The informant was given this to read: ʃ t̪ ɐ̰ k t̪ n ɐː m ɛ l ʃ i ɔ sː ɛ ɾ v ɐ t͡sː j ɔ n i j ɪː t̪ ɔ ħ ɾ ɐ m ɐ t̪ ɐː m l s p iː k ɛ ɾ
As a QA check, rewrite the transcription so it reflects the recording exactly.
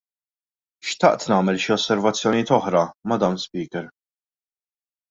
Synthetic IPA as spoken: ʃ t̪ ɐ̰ ʔ t̪ n ɐː m ɛ l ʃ i ɔ sː ɛ ɾ v ɐ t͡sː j ɔ n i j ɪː t̪ ɔ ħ ɾ ɐ m ɐ d̪ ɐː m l s p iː k ɛ ɾ